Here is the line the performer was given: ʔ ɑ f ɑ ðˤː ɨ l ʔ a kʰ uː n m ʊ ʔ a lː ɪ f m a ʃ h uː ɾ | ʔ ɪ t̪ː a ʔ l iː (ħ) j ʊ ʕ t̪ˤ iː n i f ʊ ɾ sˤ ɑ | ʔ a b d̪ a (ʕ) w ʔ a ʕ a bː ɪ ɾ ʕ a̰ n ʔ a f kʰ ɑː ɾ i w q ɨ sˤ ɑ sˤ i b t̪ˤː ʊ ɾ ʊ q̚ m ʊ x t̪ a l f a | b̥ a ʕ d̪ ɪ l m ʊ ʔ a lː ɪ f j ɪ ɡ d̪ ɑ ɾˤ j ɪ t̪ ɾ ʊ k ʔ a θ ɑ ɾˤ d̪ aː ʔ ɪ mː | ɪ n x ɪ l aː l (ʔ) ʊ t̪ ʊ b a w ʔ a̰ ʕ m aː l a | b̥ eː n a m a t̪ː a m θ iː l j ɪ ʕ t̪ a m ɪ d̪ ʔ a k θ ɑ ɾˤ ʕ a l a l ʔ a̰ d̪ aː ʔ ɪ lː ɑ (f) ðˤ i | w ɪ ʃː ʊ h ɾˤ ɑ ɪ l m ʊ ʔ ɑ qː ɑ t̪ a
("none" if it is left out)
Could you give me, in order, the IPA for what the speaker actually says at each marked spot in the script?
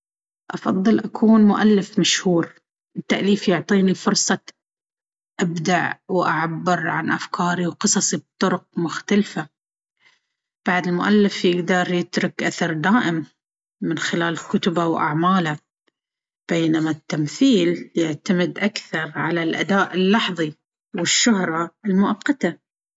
f, ʕ, k, ħ

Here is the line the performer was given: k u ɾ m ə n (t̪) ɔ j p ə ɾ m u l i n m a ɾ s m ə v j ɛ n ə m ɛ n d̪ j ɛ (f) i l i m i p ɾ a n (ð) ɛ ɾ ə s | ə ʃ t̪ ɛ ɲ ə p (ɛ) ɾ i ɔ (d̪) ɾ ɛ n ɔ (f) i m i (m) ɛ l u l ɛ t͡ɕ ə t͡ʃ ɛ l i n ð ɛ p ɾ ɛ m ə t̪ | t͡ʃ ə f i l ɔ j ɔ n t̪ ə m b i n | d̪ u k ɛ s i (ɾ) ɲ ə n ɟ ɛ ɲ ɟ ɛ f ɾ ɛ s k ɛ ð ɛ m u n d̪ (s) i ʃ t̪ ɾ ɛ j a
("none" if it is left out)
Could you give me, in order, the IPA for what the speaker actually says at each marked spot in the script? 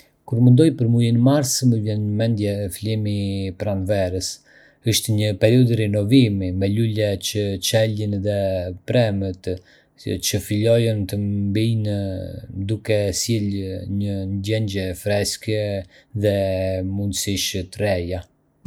d̪, f, v, ɛ, d̪, v, m, l, s

